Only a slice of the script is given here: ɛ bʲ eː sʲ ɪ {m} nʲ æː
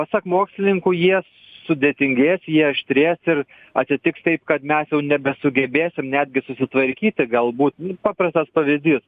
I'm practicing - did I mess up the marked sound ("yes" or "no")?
no